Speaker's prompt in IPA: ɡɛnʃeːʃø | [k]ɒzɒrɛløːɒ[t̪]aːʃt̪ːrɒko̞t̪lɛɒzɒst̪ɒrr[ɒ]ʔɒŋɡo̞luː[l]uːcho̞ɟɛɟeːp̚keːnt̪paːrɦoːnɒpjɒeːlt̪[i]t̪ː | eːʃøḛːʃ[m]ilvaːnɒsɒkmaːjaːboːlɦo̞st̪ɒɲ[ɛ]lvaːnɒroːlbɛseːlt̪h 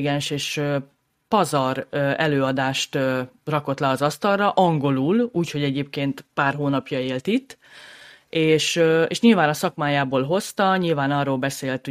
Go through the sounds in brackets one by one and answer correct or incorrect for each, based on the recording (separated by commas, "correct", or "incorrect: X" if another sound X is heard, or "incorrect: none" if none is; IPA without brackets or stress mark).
incorrect: p, incorrect: d̪, correct, correct, correct, incorrect: ɲ, incorrect: i